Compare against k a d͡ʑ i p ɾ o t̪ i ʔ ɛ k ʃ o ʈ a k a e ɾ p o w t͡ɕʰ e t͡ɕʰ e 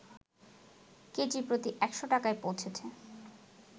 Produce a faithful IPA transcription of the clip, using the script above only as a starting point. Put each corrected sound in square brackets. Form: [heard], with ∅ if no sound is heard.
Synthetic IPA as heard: k [e] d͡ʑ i p ɾ o t̪ i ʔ ɛ k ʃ o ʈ a k a e [∅] p o w t͡ɕʰ e t͡ɕʰ e